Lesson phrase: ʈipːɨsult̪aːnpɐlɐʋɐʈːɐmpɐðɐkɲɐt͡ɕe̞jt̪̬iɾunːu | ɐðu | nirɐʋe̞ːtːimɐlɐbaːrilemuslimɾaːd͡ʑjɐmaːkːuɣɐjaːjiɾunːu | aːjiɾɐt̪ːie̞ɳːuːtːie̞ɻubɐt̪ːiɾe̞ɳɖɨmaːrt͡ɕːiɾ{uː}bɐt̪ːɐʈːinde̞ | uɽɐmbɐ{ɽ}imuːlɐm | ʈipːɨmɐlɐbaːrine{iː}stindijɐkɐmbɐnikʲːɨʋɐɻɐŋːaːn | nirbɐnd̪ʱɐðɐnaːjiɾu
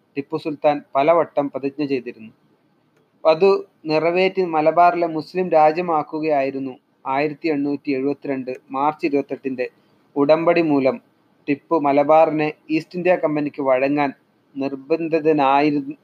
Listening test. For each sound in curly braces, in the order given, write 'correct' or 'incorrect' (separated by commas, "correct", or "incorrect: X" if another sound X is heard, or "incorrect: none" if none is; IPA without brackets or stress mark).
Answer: incorrect: u, correct, correct